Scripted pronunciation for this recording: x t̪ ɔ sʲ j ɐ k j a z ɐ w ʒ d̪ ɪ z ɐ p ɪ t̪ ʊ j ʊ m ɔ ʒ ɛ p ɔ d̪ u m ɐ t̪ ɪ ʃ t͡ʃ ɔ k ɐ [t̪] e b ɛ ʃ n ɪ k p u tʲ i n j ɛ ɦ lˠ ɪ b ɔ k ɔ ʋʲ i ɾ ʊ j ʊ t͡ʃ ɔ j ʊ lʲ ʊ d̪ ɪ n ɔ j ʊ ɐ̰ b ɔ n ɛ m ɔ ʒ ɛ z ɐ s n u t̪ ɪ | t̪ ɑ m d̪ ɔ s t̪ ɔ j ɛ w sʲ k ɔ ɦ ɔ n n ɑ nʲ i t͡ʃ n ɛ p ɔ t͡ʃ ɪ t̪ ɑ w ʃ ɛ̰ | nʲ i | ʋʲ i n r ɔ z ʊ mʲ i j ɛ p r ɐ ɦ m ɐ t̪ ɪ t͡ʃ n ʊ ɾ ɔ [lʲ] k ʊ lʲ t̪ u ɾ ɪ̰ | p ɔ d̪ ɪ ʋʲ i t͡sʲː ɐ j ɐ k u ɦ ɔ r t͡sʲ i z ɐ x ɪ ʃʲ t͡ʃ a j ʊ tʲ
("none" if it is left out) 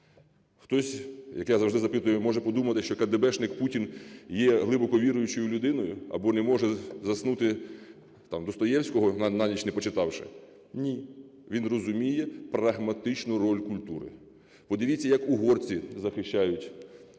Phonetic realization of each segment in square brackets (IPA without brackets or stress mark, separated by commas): d̪, lʲ